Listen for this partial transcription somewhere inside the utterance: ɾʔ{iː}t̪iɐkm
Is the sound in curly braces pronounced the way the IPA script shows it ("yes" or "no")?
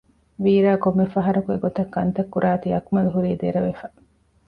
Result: no